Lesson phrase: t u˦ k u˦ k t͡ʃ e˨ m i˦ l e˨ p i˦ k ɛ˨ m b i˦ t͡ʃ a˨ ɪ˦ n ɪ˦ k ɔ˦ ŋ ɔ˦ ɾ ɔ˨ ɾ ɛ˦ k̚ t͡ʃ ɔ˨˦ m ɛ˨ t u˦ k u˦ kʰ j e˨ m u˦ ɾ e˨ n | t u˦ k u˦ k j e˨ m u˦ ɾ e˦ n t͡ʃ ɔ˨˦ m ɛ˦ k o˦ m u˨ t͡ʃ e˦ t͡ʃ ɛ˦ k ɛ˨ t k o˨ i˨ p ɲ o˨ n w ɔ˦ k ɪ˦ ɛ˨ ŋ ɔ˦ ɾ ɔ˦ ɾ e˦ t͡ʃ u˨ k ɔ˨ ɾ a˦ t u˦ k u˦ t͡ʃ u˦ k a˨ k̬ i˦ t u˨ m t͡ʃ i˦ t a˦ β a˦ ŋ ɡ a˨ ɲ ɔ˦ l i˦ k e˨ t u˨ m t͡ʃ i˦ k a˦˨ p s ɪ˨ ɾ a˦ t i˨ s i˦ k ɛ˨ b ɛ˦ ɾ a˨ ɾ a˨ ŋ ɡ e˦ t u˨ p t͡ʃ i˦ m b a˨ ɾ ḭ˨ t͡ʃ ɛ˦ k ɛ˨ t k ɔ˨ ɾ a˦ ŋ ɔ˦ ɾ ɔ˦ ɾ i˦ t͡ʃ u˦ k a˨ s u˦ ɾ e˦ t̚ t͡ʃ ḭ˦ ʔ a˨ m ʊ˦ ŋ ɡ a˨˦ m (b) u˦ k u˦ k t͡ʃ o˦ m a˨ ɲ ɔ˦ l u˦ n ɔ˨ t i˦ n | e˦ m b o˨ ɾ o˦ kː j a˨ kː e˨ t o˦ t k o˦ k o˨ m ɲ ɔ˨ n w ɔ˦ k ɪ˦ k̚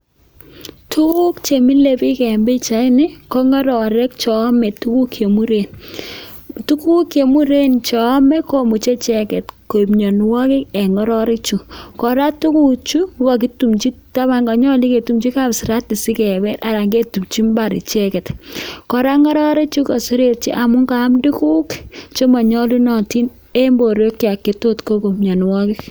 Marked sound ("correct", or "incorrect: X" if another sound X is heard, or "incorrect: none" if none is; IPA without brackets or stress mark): incorrect: d